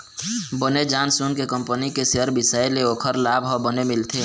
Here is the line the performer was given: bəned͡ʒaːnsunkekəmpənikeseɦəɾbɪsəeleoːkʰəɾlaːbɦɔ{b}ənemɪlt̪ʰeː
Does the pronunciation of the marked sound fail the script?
no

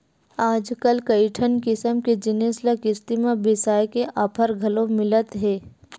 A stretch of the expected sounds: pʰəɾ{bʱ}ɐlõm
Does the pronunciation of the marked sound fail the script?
yes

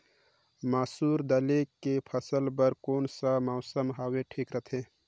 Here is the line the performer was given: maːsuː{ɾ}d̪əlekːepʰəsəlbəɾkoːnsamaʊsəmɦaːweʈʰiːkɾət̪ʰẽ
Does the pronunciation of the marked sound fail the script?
no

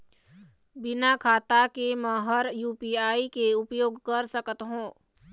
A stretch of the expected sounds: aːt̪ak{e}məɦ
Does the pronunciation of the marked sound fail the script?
no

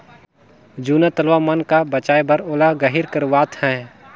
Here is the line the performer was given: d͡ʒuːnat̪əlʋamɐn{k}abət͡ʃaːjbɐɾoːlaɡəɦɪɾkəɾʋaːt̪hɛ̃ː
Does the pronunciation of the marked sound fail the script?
no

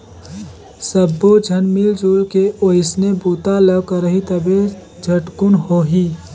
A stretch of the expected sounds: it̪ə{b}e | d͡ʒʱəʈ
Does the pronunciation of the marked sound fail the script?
no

